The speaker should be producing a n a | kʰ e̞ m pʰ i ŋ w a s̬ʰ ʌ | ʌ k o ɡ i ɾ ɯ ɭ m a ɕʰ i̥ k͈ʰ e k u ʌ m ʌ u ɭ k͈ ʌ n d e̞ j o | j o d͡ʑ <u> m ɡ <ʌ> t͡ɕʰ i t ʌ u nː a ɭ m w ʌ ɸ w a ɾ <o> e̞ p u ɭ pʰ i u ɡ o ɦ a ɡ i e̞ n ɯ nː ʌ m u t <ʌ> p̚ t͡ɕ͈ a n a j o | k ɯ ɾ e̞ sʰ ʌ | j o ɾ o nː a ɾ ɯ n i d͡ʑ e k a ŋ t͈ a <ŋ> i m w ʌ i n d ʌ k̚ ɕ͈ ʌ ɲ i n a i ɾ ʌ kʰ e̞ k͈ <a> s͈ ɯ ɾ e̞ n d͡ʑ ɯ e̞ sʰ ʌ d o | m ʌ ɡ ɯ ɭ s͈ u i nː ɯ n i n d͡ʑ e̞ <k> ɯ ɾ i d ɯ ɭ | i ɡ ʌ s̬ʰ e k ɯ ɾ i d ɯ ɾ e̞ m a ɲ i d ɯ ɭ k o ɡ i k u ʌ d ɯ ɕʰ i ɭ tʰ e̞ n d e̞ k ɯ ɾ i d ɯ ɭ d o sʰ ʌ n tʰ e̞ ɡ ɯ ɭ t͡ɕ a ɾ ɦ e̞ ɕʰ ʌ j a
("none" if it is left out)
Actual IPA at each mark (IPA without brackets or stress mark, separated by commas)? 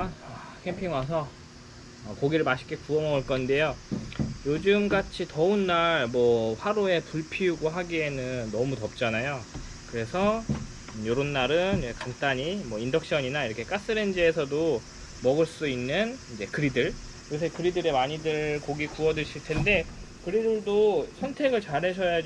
ɯ, a, o, ʌ, ɲ, a, k